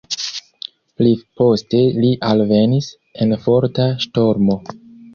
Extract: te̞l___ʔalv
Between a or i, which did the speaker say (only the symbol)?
i